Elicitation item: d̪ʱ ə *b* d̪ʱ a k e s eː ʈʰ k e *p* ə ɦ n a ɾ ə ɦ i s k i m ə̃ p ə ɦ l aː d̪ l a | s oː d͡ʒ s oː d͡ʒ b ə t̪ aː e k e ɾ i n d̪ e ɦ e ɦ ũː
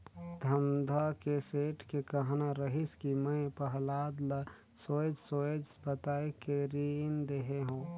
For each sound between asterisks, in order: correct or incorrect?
incorrect: m, incorrect: k

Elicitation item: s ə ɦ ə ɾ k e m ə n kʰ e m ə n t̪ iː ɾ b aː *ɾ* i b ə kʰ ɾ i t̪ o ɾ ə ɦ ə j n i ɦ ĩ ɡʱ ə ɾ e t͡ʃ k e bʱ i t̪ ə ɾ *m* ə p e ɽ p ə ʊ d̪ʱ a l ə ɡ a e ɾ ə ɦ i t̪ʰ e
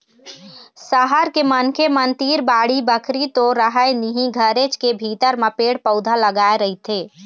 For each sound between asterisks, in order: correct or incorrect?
incorrect: ɽ, correct

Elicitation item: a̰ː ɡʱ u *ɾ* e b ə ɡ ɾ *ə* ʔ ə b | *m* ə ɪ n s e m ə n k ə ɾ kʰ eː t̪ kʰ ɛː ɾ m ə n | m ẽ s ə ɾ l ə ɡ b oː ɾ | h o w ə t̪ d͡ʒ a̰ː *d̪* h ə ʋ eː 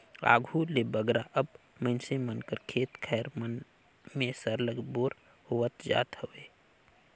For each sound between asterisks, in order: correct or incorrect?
incorrect: l, incorrect: a, correct, incorrect: t̪

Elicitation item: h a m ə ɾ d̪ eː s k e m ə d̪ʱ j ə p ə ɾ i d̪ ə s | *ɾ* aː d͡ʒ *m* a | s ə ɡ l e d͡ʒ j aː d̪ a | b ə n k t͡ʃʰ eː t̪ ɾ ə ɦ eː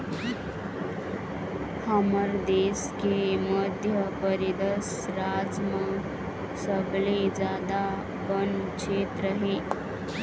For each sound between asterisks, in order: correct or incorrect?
correct, correct

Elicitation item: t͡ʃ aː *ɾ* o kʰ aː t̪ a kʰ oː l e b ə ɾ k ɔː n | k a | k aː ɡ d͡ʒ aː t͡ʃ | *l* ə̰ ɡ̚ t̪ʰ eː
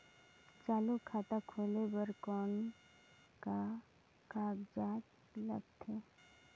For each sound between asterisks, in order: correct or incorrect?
incorrect: l, correct

